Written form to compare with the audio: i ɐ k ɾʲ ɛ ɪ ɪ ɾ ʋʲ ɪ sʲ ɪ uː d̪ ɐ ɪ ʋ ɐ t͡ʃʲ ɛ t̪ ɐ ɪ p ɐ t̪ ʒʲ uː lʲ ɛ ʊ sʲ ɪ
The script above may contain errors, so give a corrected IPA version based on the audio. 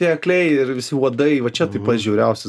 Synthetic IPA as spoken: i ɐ k lʲ ɛ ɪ ɪ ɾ ʋʲ ɪ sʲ ɪ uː d̪ ɐ ɪ ʋ ɐ t͡ʃʲ ɛ t̪ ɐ ɪ p ɐ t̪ ʒʲ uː ɾʲ ɛ ʊ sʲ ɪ